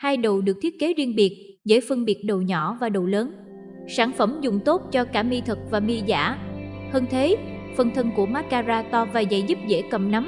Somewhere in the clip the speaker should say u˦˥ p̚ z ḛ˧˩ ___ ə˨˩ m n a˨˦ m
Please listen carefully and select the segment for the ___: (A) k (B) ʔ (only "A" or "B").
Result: A